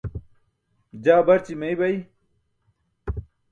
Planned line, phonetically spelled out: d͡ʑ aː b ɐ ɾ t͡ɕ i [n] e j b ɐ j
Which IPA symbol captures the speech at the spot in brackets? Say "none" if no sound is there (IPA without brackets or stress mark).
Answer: m